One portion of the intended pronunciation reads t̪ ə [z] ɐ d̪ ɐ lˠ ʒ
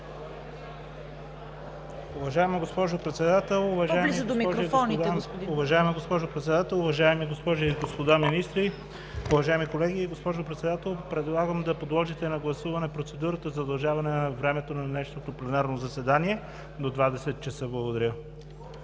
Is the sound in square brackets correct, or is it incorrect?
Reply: correct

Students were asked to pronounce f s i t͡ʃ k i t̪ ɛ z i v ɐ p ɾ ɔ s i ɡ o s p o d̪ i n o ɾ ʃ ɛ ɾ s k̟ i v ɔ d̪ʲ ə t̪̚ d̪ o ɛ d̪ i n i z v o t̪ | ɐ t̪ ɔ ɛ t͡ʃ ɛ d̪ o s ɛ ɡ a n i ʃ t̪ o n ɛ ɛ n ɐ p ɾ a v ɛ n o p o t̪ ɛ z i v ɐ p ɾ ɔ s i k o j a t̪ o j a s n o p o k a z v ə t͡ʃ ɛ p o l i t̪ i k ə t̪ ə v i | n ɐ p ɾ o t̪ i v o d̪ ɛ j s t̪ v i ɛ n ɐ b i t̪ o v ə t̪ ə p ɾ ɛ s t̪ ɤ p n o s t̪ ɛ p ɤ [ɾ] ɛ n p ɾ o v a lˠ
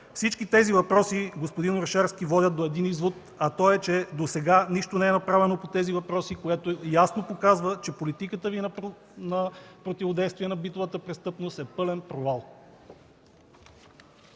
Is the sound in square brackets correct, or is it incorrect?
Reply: incorrect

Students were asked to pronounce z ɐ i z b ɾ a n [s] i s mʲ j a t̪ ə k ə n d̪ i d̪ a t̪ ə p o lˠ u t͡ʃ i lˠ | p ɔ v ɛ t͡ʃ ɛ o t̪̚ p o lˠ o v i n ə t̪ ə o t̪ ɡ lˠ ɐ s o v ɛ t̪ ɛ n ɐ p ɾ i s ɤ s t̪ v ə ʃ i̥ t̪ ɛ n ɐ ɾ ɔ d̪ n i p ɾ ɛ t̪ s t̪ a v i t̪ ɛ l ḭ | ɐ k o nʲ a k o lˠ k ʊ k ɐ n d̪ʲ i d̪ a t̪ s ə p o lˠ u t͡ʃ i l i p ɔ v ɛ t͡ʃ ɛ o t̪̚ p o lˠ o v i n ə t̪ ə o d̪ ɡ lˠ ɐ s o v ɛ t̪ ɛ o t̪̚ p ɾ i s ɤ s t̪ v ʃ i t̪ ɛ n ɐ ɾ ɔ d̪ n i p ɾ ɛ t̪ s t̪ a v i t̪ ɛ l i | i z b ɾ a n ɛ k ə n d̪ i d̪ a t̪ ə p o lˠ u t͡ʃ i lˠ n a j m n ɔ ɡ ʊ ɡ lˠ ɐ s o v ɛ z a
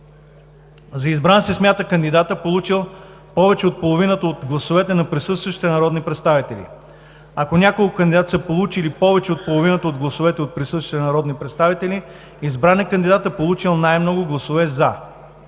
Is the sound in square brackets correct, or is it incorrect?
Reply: correct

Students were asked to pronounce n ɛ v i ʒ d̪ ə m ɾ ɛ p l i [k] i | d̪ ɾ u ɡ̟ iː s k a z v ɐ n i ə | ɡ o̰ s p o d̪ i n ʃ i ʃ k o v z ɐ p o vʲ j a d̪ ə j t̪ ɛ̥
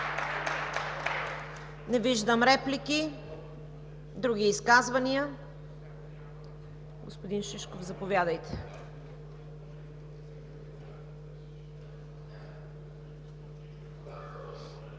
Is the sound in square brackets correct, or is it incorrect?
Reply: correct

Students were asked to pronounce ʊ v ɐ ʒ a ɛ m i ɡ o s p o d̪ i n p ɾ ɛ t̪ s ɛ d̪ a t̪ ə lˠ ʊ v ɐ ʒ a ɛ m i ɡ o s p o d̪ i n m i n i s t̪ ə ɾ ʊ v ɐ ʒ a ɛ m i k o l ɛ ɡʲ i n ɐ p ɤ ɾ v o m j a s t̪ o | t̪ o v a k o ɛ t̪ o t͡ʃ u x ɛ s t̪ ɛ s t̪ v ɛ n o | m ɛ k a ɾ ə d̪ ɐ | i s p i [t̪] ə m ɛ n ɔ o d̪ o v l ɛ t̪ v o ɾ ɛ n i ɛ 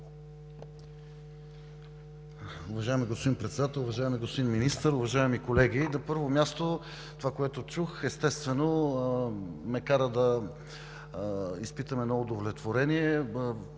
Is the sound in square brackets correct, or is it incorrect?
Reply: correct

